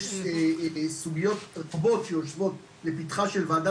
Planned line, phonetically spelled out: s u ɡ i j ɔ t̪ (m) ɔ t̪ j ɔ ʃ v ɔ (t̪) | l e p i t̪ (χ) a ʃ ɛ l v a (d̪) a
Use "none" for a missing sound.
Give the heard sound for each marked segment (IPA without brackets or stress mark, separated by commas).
b, t̪, χ, d̪